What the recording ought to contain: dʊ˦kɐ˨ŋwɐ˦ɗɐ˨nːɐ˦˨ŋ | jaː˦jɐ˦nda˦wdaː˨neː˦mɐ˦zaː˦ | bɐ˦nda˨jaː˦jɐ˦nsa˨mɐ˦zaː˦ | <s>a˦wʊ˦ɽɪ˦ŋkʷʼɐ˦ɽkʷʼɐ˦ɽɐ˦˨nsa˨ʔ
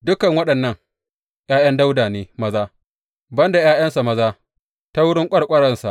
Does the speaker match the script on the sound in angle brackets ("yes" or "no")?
no